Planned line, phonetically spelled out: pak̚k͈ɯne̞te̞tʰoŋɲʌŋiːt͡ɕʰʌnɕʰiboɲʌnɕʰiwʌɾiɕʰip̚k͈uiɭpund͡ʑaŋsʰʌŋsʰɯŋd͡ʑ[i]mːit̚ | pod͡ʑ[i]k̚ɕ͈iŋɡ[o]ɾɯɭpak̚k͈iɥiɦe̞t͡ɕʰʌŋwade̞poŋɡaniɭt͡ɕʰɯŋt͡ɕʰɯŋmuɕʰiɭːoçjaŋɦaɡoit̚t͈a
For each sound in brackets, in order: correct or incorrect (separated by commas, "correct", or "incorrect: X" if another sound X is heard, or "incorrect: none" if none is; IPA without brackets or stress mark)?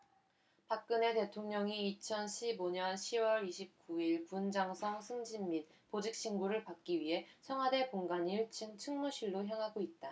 correct, correct, incorrect: u